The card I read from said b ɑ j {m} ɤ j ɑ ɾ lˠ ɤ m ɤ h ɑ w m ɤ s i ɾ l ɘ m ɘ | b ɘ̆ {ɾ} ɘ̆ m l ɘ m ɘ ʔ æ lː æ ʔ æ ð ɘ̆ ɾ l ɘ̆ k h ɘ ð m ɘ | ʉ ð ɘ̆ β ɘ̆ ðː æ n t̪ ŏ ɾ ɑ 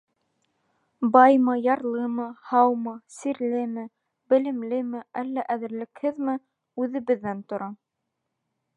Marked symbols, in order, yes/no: yes, no

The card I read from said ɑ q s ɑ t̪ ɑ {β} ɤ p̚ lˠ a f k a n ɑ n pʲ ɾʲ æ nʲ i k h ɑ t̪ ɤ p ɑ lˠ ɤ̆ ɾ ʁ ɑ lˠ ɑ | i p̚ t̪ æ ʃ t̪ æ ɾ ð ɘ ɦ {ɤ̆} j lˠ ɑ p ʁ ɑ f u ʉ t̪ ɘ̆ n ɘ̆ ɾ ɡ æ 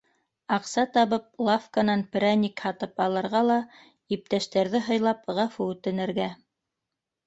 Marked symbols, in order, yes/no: yes, yes

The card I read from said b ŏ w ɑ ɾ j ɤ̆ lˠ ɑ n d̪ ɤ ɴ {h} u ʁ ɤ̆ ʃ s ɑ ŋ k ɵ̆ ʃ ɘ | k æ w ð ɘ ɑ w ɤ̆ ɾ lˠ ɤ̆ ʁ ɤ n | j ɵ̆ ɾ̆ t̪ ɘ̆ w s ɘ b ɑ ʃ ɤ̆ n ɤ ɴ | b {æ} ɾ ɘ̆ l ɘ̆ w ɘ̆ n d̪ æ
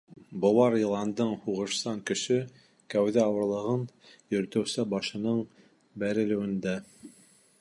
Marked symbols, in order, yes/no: yes, yes

